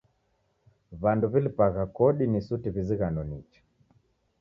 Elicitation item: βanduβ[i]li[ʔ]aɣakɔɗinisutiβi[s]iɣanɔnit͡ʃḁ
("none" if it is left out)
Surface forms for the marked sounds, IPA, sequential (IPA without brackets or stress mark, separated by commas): i, p, z